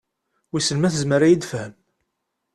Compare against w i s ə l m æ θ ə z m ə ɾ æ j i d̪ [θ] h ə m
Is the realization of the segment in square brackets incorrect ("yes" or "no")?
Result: yes